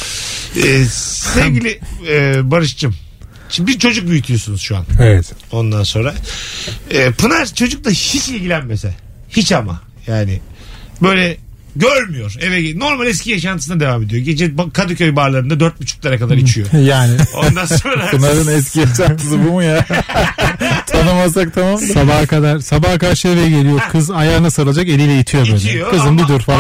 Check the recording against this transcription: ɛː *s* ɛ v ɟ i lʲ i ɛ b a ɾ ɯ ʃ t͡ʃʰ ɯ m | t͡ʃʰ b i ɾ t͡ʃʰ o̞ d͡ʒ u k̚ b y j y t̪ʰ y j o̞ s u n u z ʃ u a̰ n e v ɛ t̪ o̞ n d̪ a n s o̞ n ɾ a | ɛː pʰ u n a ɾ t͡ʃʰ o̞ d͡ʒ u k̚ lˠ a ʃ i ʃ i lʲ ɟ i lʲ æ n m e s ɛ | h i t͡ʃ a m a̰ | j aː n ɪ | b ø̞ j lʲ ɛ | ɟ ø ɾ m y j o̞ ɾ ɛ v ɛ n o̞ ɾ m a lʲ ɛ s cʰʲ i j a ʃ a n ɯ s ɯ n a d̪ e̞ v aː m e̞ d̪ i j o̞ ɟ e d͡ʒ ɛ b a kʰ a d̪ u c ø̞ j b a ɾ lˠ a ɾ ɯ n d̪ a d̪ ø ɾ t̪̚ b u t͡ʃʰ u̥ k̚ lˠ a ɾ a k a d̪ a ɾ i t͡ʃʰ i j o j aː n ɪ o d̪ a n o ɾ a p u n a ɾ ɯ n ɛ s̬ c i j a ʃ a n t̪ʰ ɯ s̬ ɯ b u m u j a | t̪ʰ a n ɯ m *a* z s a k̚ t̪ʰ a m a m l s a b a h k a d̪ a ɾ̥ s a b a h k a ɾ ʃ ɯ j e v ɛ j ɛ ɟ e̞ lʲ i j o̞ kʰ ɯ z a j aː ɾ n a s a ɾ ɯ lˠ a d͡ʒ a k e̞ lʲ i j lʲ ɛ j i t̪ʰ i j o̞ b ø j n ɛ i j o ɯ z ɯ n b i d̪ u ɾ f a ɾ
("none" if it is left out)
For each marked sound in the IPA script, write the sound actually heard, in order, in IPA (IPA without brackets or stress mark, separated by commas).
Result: s, a